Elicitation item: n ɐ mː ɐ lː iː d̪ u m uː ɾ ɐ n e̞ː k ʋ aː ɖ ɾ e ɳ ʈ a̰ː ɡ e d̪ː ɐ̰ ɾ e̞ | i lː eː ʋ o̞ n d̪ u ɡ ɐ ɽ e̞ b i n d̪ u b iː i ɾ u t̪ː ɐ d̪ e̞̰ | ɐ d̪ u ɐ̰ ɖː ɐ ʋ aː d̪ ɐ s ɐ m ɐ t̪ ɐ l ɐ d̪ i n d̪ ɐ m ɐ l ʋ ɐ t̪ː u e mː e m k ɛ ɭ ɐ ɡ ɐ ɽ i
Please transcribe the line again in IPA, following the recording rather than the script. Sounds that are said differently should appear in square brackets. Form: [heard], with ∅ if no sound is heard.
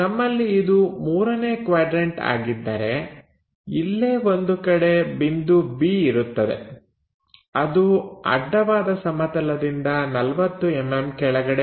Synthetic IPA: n ɐ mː ɐ lː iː d̪ u m uː ɾ ɐ n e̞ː k ʋ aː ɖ ɾ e ɳ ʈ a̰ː ɡ [i] d̪ː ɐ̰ ɾ e̞ | i lː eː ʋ o̞ n d̪ u [k] ɐ ɽ e̞ b i n d̪ u b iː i ɾ u t̪ː ɐ d̪ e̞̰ | ɐ d̪ u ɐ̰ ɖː ɐ ʋ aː d̪ ɐ s ɐ m ɐ t̪ ɐ l ɐ d̪ i n d̪ ɐ [n] ɐ l ʋ ɐ t̪ː u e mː e m k ɛ ɭ ɐ ɡ ɐ ɽ [e]